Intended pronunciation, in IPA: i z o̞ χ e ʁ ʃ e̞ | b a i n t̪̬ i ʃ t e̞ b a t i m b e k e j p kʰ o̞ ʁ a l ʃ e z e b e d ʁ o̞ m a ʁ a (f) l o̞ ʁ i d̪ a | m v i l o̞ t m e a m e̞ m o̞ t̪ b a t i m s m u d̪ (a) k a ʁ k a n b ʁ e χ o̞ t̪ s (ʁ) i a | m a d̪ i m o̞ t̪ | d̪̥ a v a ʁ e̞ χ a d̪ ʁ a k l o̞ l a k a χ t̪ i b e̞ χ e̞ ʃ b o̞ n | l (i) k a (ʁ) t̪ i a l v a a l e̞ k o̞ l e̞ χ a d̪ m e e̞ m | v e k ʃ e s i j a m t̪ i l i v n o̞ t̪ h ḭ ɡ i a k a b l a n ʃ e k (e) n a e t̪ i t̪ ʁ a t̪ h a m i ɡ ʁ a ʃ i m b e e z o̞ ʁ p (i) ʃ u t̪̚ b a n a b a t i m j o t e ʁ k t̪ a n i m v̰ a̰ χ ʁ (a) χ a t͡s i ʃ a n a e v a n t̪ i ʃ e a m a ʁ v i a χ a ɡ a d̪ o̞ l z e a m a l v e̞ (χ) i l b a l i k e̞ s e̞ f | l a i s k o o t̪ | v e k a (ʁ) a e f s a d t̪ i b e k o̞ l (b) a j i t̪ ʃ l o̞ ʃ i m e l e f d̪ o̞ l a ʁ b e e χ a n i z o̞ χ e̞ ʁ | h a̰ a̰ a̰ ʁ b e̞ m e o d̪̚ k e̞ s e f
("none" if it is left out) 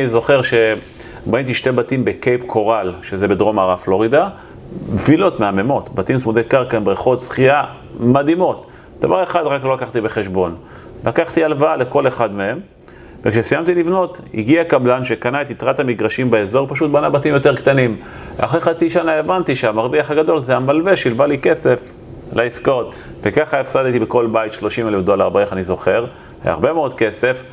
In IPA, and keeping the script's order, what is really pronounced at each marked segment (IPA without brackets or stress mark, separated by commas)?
f, e, χ, a, χ, a, a, e, ʃ, χ, b